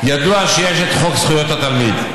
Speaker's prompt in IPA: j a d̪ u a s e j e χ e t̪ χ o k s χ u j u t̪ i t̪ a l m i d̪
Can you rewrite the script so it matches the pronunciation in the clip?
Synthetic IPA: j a d̪ u a ʃ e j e ʃ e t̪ χ o k s χ u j o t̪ a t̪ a l m i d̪